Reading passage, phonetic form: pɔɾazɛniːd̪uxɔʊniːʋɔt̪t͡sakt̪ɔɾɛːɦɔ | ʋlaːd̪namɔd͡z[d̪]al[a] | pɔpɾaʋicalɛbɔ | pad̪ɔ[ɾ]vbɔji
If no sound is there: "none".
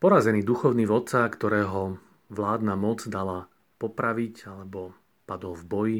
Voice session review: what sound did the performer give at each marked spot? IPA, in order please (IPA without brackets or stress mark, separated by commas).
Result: d̪, a, l